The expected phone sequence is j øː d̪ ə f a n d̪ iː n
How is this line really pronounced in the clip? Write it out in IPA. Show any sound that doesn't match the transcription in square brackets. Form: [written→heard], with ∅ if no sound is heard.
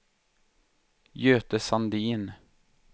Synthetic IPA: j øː [d̪→t̪] ə [f→s] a n d̪ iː n